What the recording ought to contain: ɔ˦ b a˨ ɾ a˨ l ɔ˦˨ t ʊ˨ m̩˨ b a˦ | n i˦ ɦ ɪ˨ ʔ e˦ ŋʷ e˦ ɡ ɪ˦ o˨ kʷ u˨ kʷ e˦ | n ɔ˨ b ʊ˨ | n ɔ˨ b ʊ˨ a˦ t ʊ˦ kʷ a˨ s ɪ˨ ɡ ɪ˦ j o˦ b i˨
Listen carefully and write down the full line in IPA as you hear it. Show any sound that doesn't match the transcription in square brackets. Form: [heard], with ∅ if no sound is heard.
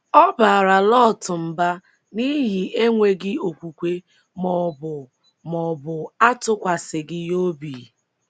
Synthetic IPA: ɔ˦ b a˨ ɾ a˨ l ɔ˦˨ t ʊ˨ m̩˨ b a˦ | n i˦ ɦ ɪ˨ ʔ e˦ ŋʷ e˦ ɡ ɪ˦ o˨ kʷ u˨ kʷ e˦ | [m] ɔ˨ b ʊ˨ | [m] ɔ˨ b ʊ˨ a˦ t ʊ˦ kʷ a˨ s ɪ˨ ɡ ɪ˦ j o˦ b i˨